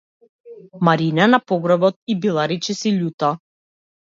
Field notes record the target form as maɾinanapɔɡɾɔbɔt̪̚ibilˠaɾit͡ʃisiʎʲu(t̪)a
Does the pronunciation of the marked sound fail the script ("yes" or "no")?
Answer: no